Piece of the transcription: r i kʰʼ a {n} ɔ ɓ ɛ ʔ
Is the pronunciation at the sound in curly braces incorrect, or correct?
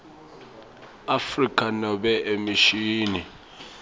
correct